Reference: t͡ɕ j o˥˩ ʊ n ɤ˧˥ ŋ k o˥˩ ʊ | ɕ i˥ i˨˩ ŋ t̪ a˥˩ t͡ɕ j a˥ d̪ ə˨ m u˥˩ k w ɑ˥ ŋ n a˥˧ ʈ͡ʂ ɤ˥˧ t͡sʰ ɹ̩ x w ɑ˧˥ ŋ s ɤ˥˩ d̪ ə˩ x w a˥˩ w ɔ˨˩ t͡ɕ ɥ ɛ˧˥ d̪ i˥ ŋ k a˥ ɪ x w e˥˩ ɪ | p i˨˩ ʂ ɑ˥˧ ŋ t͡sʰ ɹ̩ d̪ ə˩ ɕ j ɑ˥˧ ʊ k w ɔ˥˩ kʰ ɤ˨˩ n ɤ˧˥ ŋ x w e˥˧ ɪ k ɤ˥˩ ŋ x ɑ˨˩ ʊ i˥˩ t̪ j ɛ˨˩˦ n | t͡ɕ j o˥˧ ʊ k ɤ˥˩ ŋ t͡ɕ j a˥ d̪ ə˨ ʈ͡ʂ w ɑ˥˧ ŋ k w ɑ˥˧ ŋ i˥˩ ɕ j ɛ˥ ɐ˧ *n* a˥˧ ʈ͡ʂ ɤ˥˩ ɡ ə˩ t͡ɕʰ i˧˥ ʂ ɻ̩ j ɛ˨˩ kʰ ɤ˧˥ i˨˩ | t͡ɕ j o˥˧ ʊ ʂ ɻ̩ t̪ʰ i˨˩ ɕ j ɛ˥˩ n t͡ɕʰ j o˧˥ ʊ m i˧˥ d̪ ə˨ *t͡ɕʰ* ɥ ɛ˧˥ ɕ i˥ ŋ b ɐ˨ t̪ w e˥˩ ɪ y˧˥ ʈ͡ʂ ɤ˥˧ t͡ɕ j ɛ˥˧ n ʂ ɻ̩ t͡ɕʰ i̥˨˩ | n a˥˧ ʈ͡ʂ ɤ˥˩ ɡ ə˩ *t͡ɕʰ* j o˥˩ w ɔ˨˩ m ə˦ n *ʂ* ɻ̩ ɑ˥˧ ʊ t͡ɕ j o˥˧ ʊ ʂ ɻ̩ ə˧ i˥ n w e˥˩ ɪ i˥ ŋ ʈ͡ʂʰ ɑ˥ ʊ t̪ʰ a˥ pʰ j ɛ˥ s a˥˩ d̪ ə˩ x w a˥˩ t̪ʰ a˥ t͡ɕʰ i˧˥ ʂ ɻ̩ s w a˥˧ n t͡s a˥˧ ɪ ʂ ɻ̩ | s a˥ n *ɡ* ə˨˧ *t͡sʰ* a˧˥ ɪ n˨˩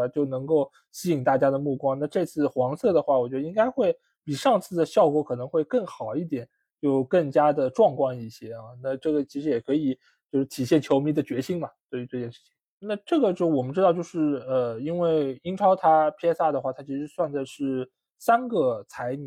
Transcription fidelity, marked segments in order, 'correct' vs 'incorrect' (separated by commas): correct, incorrect, incorrect, incorrect, correct, correct